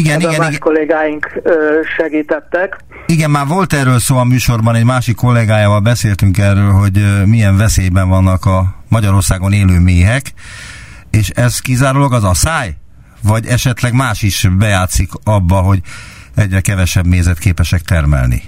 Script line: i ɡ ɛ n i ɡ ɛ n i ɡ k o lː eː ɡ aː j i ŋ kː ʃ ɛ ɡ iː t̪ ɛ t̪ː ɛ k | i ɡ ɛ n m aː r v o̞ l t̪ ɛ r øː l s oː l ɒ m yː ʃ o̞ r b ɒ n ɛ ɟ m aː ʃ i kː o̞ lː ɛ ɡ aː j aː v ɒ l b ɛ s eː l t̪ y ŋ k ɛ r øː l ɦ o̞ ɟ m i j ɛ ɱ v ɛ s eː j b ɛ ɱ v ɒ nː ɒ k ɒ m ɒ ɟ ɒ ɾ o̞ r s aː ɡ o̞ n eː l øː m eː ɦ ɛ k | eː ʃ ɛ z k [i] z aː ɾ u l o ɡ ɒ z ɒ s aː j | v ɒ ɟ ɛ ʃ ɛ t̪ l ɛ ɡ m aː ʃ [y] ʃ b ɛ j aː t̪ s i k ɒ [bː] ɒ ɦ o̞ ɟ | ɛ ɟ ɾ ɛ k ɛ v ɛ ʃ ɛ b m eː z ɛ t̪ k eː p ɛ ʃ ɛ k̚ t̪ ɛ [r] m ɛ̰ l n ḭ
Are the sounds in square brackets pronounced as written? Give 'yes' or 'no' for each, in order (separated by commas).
yes, no, yes, yes